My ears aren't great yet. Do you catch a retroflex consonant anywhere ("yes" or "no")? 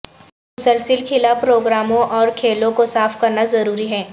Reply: no